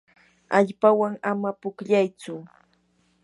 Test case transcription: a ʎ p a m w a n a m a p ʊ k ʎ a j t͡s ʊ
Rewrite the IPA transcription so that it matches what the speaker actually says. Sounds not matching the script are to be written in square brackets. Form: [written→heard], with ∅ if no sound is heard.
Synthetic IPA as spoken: a ʎ p a [m→∅] w a [n→ŋ] a m a p ʊ k ʎ a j t͡s ʊ